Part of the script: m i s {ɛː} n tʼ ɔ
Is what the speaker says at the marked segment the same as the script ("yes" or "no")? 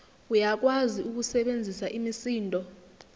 no